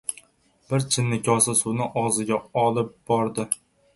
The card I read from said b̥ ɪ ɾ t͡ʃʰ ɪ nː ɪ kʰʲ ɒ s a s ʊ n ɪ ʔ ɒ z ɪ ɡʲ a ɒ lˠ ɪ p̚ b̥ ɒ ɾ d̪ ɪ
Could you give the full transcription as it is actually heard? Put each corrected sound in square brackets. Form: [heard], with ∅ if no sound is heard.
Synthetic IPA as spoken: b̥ ɪ ɾ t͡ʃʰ ɪ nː ɪ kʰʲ ɒ s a s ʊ n ɪ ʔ ɒ z ɪ ɡʲ a ɒ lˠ ɪ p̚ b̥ ɒ ɾ d̪ ɪ